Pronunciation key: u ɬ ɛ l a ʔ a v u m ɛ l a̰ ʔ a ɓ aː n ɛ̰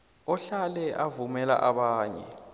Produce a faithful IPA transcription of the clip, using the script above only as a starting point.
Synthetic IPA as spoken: ɔ ɬ a l ɛ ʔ a v u m ɛ l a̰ ʔ a ɓ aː ɲ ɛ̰